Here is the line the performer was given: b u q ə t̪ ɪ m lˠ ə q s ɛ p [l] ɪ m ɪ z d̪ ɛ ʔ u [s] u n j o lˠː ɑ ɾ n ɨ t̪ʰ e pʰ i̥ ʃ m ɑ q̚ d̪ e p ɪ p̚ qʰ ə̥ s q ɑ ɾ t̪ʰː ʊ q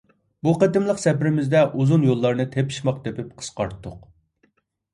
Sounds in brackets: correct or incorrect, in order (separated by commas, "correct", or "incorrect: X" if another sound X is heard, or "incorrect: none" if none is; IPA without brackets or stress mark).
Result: incorrect: ɾ, incorrect: z